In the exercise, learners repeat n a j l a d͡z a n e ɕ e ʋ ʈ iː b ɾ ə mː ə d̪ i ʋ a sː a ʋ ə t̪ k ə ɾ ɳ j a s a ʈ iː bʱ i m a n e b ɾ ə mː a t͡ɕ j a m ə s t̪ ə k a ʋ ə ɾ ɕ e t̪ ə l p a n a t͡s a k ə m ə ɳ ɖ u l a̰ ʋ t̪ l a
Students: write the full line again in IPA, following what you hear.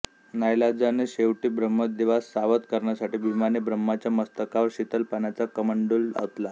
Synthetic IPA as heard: n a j l a d͡z a n e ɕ e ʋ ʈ iː b ɾ ə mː ə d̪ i ʋ a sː a ʋ ə t̪ k ə ɾ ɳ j a s a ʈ iː bʱ i m a n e b ɾ ə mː a t͡ɕ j a m ə s t̪ ə k a ʋ ə ɾ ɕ i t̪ ə l p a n a t͡s a k ə m ə ɳ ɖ u l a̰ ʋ t̪ l a